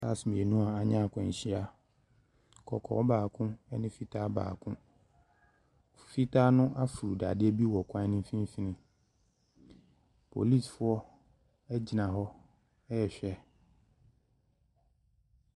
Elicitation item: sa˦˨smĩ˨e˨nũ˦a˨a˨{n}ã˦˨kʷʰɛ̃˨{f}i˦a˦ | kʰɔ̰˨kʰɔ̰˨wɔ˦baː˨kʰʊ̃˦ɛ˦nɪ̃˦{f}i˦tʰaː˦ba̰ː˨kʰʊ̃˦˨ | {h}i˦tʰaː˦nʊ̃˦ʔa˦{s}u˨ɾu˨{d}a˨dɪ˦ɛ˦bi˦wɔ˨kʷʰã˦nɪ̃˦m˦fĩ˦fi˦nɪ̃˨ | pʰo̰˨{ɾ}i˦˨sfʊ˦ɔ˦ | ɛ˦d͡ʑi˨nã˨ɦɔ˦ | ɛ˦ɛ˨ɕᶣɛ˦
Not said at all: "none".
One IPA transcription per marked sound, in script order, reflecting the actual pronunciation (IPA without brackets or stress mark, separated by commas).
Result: ɲ, ɕ, f, f, f, d, l